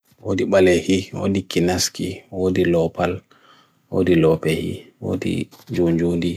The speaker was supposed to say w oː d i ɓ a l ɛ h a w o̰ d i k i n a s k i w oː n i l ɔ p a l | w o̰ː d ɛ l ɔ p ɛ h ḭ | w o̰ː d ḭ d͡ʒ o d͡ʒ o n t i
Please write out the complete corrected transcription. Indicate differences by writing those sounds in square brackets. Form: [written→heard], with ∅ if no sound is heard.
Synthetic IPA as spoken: w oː d i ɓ a l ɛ h [a→i] w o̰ d i k i n a s k i w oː [n→d] i l ɔ p a l | w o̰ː d [ɛ→i] l ɔ p ɛ h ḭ | w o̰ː d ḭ d͡ʒ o d͡ʒ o n [t→d] i

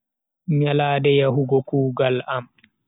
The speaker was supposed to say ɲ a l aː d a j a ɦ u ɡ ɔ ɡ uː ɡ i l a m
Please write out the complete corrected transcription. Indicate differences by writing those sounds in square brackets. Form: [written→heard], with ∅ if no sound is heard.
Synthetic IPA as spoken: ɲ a l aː d [a→ɛ] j a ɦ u ɡ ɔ [ɡ→k] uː ɡ [i→a] l a m

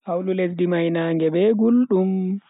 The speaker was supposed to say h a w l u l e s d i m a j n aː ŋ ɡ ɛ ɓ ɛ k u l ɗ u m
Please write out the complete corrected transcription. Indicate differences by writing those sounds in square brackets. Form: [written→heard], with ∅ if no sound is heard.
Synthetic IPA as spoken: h a w l u l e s d i m a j n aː ŋ ɡ ɛ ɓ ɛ [k→ɡ] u l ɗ u m

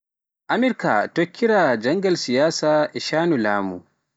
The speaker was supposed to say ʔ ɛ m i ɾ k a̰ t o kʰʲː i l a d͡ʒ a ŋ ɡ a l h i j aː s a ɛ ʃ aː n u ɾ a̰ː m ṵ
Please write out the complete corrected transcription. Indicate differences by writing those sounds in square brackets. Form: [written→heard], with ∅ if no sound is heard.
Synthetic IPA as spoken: ʔ [ɛ→a] m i ɾ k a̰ t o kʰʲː i [l→ɾ] a d͡ʒ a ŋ ɡ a l [h→s] i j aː s a ɛ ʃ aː n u [ɾ→l] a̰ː m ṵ

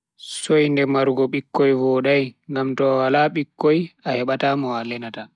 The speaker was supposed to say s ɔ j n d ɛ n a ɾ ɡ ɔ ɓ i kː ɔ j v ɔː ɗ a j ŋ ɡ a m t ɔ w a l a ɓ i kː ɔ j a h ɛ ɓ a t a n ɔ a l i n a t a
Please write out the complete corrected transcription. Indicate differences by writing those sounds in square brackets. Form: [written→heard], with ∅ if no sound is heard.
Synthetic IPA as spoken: s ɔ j n d ɛ [n→m] a ɾ ɡ ɔ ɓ i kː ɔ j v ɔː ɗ a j ŋ ɡ a m t ɔ w a l a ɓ i kː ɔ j a h ɛ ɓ a t a [n→m] ɔ a l [i→ɛ] n a t a

